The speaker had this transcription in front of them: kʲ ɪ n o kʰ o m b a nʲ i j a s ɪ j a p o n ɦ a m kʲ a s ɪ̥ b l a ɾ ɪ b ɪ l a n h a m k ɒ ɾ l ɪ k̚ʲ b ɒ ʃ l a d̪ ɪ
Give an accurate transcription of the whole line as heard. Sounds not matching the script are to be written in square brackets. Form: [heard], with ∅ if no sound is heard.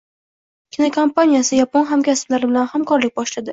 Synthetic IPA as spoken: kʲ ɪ n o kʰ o m [p] a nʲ i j a s ɪ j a p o n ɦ a m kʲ a s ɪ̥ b l a ɾ ɪ b ɪ l a n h a m k ɒ ɾ l ɪ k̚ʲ b ɒ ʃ l a d̪ ɪ